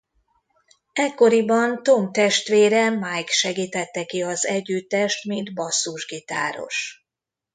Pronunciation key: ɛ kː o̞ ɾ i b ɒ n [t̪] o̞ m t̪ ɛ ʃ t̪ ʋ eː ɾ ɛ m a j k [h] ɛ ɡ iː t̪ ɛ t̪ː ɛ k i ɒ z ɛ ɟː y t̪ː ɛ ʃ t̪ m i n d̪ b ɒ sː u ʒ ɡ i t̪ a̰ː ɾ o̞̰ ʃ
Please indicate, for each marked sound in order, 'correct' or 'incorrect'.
correct, incorrect: ʃ

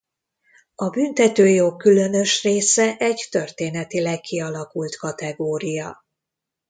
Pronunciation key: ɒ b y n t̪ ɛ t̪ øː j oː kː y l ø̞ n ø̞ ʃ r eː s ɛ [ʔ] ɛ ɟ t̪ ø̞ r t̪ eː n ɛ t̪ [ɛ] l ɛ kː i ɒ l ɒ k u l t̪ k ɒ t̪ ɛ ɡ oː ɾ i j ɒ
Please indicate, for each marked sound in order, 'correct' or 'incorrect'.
correct, incorrect: i

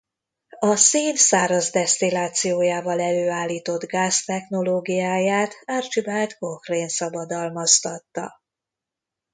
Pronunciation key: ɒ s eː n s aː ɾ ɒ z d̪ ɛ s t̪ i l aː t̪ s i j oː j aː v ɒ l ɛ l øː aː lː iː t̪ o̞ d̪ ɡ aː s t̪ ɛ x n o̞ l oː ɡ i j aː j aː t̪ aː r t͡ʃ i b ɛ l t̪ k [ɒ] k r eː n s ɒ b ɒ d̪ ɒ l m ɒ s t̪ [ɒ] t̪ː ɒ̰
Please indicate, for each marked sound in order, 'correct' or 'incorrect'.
incorrect: o, correct

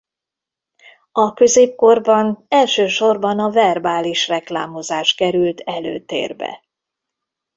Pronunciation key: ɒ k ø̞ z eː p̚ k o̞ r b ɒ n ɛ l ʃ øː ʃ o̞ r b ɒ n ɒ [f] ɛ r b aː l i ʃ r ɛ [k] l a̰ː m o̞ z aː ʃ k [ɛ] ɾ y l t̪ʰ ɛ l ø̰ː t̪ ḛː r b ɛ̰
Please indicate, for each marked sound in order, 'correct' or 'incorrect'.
incorrect: v, correct, correct

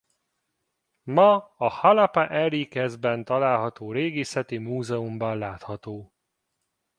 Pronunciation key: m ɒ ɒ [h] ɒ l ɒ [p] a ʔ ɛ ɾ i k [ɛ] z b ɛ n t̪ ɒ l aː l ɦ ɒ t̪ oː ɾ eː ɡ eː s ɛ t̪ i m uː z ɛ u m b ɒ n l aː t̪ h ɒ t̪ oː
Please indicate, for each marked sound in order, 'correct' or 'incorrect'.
correct, correct, correct

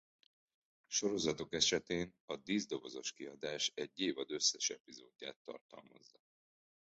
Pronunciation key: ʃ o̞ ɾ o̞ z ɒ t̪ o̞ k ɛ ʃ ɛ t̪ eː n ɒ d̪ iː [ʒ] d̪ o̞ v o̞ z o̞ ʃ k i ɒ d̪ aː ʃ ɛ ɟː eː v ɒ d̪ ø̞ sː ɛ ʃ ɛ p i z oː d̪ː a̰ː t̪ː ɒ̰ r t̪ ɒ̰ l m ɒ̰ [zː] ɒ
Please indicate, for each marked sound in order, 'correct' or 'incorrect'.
incorrect: z, correct

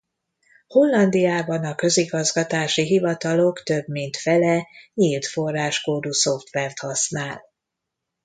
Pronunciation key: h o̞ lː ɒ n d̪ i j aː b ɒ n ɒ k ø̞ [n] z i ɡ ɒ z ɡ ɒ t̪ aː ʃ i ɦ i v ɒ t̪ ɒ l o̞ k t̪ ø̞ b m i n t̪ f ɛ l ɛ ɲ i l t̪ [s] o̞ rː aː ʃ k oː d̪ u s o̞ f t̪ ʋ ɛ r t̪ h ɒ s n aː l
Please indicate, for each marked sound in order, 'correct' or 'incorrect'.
incorrect: none, incorrect: f

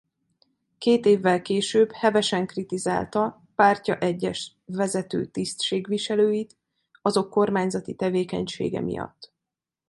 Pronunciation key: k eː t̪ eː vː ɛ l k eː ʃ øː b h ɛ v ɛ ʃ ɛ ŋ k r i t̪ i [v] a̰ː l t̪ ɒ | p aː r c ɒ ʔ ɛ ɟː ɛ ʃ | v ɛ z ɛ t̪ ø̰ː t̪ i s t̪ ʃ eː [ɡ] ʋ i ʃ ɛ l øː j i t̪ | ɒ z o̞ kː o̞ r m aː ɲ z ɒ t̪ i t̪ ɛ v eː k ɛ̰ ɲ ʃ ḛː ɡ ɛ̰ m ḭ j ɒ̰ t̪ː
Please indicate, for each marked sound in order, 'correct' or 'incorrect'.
incorrect: z, correct

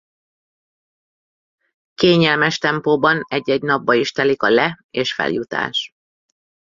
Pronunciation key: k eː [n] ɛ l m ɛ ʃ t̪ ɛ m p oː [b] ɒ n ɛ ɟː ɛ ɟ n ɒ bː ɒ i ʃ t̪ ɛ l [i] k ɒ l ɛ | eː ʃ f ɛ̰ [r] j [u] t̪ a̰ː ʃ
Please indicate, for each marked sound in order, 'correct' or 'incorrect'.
incorrect: ɲ, correct, correct, incorrect: l, correct

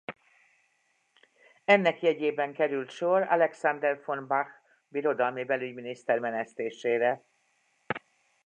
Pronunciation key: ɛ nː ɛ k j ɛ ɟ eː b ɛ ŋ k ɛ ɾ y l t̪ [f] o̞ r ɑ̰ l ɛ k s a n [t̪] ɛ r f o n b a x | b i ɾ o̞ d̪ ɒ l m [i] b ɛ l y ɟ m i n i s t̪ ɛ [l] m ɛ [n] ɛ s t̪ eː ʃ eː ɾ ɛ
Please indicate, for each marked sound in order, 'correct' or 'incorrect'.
incorrect: ʃ, incorrect: d̪, correct, incorrect: r, correct

